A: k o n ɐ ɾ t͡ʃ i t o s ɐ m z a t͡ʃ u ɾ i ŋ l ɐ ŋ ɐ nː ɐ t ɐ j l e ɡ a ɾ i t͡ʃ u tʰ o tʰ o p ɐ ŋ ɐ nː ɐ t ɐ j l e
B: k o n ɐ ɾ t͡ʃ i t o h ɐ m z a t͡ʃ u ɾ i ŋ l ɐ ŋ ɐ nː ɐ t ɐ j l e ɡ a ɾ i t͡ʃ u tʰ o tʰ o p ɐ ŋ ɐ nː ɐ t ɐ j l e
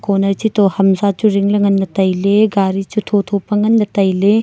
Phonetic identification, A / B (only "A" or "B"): B